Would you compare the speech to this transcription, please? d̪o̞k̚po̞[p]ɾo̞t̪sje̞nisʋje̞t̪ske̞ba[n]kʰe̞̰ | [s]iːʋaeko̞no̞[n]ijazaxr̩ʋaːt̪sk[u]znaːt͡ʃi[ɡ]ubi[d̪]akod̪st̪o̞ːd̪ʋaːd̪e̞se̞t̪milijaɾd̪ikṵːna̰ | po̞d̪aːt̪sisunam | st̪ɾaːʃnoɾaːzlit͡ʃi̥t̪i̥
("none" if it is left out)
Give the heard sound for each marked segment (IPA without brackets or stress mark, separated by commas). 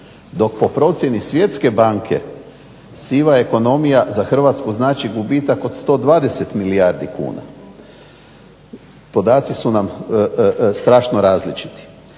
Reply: p, ŋ, s, m, u, ɡ, t̪